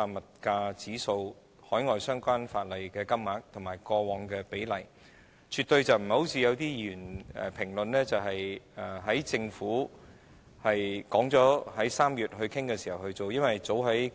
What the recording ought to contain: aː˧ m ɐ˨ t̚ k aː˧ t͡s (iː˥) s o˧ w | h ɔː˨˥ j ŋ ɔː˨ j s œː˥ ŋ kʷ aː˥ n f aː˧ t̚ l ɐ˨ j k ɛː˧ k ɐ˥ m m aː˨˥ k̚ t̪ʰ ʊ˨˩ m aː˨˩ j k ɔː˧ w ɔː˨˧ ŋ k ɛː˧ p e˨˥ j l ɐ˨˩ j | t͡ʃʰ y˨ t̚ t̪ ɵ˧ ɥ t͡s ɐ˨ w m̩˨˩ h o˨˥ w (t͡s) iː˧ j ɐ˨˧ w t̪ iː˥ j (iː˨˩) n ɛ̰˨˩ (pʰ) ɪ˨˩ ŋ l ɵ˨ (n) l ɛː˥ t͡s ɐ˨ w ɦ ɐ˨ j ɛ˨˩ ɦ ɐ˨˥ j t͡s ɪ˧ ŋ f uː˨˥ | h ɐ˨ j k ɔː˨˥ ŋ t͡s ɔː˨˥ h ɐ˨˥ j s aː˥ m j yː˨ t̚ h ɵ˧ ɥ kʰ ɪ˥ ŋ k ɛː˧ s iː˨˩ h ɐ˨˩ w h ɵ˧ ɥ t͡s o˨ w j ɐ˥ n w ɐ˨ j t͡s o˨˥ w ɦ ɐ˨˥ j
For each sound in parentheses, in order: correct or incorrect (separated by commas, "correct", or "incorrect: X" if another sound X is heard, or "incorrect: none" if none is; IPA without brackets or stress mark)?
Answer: incorrect: iː˨˥, incorrect: t͡sʰ, incorrect: yː˨˩, correct, correct